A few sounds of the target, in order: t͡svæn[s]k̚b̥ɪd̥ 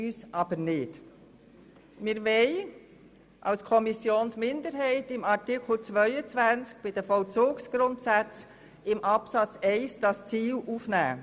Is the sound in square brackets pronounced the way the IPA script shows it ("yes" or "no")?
no